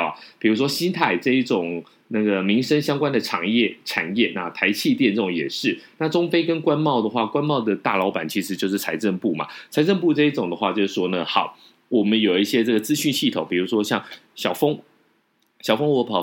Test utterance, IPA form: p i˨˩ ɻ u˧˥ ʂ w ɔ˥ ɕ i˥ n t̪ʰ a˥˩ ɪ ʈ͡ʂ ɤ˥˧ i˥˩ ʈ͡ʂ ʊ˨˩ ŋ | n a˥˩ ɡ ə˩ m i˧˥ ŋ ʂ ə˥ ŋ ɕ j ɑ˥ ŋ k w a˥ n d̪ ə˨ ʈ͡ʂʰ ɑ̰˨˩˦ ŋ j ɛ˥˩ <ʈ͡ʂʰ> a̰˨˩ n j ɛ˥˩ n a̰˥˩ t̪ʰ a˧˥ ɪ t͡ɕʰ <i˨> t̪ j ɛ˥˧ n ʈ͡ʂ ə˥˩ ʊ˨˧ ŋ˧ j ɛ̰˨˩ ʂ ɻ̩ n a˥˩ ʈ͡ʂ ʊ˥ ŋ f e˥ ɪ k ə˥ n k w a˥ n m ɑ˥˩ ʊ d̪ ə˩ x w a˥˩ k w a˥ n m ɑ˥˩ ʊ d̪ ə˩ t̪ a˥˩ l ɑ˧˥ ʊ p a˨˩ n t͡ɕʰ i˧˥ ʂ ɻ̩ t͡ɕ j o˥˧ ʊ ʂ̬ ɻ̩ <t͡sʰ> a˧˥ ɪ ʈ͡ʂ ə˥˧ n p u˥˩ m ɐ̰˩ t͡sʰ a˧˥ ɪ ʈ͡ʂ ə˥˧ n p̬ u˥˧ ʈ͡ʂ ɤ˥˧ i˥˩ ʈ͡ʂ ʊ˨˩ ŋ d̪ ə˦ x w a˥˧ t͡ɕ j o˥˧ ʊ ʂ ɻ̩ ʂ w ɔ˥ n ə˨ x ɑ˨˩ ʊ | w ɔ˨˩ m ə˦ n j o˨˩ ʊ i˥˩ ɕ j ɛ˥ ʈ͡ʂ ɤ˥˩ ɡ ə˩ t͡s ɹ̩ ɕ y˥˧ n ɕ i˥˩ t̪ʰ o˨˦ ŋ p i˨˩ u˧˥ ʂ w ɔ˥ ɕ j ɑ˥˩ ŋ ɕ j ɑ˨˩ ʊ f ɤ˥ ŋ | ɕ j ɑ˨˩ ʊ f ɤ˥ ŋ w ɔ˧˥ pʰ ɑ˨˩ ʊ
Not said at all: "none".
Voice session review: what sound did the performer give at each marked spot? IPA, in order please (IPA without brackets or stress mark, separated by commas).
ʈ͡ʂʰ, i˥˧, t͡sʰ